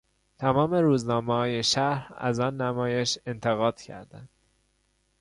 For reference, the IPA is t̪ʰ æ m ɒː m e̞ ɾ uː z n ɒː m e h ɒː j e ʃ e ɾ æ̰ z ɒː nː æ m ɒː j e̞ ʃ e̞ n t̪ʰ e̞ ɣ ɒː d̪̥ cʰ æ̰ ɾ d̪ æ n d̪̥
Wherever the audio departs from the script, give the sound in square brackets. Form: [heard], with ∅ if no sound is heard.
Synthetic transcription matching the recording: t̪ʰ æ m ɒː m e̞ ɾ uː z n ɒː m e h ɒː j e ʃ [æ] ɾ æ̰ z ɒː nː æ m ɒː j e̞ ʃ e̞ n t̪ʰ e̞ ɣ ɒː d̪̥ cʰ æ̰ ɾ d̪ æ n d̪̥